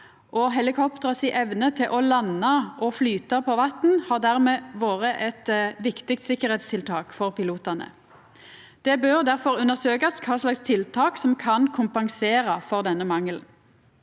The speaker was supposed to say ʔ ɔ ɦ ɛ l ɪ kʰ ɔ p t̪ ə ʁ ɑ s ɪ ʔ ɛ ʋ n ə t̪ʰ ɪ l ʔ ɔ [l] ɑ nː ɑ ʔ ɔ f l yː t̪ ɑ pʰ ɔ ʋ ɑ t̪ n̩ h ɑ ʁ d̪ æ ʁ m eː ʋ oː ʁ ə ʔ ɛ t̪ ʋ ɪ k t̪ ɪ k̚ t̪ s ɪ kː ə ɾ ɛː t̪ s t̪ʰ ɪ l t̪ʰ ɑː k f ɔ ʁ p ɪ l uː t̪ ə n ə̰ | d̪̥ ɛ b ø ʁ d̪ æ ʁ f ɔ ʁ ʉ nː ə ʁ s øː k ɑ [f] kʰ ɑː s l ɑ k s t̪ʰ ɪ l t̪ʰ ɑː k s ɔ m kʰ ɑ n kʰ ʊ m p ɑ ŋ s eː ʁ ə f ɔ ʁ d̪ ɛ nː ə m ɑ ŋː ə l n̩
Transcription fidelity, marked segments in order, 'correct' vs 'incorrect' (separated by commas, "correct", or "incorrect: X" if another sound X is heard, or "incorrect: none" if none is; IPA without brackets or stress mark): correct, incorrect: s